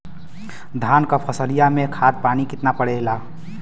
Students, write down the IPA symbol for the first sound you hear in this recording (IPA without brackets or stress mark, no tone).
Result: d̪ʱ